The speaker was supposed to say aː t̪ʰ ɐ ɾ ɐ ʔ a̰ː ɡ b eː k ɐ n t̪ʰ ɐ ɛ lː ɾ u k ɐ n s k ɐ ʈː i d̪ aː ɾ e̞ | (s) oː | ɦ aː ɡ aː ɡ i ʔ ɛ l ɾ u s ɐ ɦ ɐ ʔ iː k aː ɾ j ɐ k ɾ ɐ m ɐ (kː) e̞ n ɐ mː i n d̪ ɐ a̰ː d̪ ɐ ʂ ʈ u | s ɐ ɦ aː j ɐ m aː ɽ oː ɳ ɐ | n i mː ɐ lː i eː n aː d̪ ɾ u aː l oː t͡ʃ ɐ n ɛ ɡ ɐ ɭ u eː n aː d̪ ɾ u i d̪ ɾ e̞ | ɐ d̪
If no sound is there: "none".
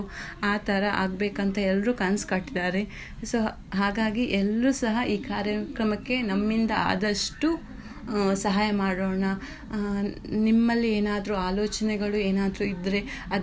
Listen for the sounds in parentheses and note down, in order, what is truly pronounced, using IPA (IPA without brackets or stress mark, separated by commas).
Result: s, kː